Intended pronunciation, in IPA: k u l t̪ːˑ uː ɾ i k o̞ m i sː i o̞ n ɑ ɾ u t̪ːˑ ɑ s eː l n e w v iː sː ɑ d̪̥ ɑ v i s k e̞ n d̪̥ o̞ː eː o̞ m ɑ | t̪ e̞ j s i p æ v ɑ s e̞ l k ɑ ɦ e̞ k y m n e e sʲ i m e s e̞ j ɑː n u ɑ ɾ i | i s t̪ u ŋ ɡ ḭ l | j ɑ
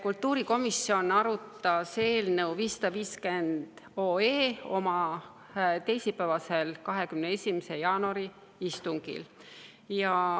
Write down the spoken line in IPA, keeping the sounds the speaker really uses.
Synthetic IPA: k u l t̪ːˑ uː ɾ i k o̞ m i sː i o̞ n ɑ ɾ u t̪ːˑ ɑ s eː l n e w v iː sː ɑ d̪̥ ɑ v iː s k e̞ n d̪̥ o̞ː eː o̞ m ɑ | t̪ e̞ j s i p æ v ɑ s e̞ l k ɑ ɦ e̞ k y m n e e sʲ i m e s e̞ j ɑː n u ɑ ɾ i | i s t̪ u ŋ ɡ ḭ l | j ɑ

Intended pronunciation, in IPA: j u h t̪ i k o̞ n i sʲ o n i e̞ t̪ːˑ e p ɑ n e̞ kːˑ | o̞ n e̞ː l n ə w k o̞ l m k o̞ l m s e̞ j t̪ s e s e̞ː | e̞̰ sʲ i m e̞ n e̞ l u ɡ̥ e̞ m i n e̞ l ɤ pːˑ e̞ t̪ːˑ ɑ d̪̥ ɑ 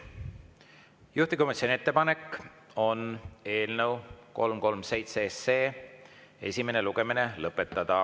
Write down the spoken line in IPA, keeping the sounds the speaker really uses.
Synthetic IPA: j u h t̪ i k o̞ m i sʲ o n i e̞ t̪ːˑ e p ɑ n e̞ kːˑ | o̞ n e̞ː l n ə w k o̞ l m k o̞ l m s e̞ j t̪ s e s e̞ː | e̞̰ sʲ i m e̞ n e̞ l u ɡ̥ e̞ m i n e̞ l ɤ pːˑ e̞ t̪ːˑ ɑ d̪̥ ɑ

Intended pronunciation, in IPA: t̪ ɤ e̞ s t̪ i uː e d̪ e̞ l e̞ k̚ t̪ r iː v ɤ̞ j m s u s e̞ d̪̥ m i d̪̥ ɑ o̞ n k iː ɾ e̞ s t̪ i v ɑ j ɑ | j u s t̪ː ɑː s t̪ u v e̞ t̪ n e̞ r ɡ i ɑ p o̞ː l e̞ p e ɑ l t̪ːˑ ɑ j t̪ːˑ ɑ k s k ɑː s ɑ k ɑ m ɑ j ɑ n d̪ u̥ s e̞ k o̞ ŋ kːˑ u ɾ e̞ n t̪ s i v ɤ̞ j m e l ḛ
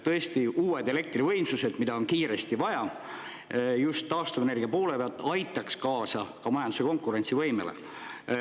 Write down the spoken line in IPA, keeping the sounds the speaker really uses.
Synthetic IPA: t̪ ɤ e̞ s t̪ i uː e d̪ e̞ l e̞ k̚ t̪ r i v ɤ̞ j m s u s e̞ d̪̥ m i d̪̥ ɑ o̞ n k iː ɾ e̞ s t̪ i v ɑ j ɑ | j u s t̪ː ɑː s t̪ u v e̞ n e̞ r ɡ i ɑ p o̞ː l e̞ p e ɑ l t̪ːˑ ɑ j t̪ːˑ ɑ k s k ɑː s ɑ k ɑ m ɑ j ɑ n d̪ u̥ s e̞ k o̞ ŋ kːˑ u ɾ e̞ n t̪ s i v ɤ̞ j m e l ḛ

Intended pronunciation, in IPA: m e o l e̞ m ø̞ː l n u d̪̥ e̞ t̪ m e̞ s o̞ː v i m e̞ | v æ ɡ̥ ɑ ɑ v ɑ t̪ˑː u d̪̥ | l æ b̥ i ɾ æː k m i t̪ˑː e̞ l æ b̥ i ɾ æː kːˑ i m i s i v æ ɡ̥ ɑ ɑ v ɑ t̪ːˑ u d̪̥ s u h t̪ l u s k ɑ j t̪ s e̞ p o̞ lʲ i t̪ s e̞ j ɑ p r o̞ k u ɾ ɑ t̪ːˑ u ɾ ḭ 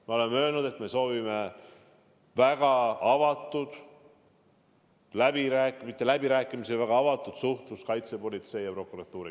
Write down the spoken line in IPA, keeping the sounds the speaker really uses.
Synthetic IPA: m e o l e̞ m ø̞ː l n u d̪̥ e̞ t̪ m e̞ s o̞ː v i m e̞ | v æ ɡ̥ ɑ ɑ v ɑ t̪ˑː u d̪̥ | l æ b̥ i ɾ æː k m i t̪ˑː e̞ l æ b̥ i ɾ æː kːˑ i m i s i v æ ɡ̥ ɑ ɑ v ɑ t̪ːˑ u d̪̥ s u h t̪ l u s k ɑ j t̪ s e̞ p o̞ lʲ i t̪ s e̞ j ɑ p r o̞ k u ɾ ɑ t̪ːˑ uː ɾ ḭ

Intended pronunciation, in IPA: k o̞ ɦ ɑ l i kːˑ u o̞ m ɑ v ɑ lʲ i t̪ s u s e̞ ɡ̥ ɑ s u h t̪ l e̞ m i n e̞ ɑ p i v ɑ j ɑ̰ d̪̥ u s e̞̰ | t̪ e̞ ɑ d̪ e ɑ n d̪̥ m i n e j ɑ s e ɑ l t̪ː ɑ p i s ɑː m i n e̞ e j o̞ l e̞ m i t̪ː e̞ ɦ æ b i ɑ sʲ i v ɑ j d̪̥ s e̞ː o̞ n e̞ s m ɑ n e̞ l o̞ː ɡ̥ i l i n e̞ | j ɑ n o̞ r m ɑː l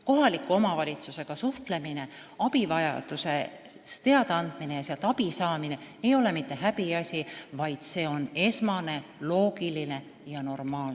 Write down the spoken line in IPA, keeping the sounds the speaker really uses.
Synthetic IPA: k o̞ ɦ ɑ l i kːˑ u o̞ m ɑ v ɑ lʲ i t̪ s u s e̞ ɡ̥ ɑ s u h t̪ l e̞ m i n e̞ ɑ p i v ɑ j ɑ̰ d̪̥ u s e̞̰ | t̪ e̞ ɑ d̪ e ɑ n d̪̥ m i n e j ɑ s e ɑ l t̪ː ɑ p i s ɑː m i n e̞ e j o̞ l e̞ m i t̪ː e̞ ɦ æ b i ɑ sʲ i v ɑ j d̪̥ s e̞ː o̞ n e̞ s m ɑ n e̞ l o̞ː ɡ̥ i l i n e̞ | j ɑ n o̞ r m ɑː l

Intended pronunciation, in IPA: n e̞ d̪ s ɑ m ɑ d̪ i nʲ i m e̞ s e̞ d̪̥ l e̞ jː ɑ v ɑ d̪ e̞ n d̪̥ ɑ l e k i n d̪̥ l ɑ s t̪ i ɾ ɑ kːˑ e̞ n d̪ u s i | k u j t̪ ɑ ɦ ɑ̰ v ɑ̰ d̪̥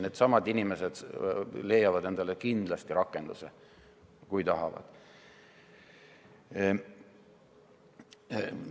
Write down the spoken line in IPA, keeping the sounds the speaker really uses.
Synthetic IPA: n e̞ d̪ s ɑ m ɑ d̪ i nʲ i m e̞ s e̞ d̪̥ l e̞ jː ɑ v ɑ d̪ e̞ n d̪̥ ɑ l e k i n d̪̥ l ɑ s t̪ i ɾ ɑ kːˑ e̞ n d̪ u s e | k u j t̪ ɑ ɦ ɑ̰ v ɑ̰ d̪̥

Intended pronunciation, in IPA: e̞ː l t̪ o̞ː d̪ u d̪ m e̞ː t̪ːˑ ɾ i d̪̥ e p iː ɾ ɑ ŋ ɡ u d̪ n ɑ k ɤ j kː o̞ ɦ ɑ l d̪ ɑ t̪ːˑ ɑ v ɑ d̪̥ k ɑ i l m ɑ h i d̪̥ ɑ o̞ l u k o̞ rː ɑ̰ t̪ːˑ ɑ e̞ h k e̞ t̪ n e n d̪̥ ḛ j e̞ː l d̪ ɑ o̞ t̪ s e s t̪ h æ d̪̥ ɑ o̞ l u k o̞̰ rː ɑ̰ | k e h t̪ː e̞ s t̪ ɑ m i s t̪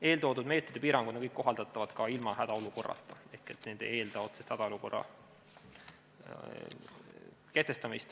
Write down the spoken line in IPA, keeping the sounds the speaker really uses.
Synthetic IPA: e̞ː l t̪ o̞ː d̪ u d̪ m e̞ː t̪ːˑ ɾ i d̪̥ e p iː ɾ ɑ ŋ ɡ u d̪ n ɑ k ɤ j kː o̞ ɦ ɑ l d̪ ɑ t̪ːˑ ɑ v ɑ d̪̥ k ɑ i l m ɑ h æ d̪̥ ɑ o̞ l u k o̞ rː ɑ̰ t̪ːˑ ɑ e̞ h k e̞ t̪ n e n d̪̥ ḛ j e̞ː l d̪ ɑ o̞ t̪ s e s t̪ h æ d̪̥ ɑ o̞ l u k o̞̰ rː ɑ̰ | k e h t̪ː e̞ s t̪ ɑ m i s t̪

